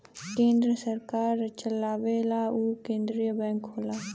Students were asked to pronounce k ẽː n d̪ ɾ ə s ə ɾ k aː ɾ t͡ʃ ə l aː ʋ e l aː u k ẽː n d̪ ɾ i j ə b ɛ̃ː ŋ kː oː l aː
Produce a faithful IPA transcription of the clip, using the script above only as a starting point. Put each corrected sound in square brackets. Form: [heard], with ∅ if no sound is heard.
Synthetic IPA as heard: k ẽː n d̪ ɾ ə s ə ɾ k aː ɾ t͡ʃ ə l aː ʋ e l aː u k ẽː n d̪ ɾ i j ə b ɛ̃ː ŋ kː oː l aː